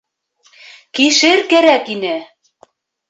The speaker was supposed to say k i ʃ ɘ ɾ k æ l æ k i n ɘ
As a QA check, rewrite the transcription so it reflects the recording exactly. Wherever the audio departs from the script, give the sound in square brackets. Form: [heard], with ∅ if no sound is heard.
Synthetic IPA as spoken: k i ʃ ɘ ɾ k æ [ɾ] æ k i n ɘ

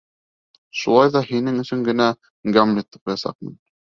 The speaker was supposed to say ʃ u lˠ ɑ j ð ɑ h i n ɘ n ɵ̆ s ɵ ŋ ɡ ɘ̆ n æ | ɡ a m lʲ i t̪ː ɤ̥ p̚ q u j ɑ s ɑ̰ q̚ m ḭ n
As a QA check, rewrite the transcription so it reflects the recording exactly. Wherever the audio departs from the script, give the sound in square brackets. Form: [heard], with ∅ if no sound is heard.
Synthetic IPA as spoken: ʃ u lˠ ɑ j ð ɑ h i n ɘ [ŋ] ɵ̆ s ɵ ŋ ɡ ɘ̆ n æ | ɡ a m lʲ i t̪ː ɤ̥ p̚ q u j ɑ s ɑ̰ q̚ m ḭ n

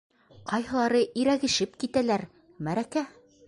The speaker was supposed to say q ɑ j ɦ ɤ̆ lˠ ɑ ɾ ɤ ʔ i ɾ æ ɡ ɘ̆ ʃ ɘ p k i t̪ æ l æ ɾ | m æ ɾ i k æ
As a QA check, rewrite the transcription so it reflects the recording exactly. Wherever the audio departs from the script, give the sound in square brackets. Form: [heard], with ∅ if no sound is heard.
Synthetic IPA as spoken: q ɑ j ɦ ɤ̆ lˠ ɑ ɾ ɤ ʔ i ɾ æ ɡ ɘ̆ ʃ ɘ p k i t̪ æ l æ ɾ | m æ ɾ [æ] k æ

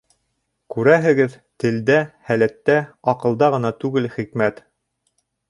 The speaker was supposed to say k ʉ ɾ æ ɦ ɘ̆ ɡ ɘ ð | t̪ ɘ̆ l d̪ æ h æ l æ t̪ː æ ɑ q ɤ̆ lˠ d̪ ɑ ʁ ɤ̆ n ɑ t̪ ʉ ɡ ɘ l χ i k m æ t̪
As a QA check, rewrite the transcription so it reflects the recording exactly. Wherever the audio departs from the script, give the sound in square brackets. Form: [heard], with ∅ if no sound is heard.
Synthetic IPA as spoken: k ʉ ɾ æ ɦ ɘ̆ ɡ ɘ ð | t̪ ɘ̆ l d̪ æ h æ l æ t̪ː æ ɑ q ɤ̆ lˠ d̪ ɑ ʁ ɤ̆ n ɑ t̪ ʉ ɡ ɘ l χ i k m æ t̪

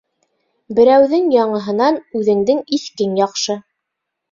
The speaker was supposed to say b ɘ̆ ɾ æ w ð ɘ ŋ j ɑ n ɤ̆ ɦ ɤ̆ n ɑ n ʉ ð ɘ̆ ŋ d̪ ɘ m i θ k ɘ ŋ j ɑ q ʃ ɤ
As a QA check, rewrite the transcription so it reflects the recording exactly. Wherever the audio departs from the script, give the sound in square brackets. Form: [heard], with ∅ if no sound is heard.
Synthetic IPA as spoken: b ɘ̆ ɾ æ w ð ɘ ŋ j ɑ [ɴ] ɤ̆ ɦ ɤ̆ n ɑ n ʉ ð ɘ̆ ŋ d̪ ɘ [ŋ] i θ k ɘ ŋ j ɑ q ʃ ɤ

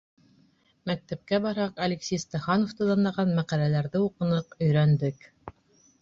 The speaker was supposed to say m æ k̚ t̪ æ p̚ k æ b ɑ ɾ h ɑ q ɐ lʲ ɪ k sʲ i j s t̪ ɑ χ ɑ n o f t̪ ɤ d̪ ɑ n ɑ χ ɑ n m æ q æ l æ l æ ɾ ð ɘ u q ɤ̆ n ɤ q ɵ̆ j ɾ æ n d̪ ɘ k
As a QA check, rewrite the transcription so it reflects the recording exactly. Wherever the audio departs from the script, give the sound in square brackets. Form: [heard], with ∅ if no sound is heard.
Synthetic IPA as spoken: m æ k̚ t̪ æ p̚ k æ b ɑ ɾ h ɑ q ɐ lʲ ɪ k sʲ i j s t̪ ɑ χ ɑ n o f t̪ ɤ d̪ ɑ n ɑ [ʁ] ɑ n m æ q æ l æ l æ ɾ ð ɘ u q ɤ̆ n ɤ q ɵ̆ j ɾ æ n d̪ ɘ k

